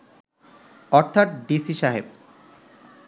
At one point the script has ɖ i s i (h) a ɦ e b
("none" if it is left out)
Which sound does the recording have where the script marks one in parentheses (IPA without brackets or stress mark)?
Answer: ʃ